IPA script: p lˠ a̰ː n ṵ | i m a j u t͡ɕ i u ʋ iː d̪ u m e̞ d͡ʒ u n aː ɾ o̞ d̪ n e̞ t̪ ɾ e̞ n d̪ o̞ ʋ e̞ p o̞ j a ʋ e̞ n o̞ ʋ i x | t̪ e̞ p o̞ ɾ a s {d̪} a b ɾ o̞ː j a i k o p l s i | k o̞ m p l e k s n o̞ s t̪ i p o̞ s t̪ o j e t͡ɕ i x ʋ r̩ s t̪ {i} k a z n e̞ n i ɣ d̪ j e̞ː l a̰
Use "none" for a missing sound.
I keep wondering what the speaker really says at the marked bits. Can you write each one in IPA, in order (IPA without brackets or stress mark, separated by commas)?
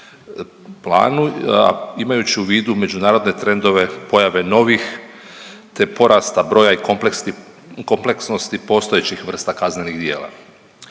t̪, a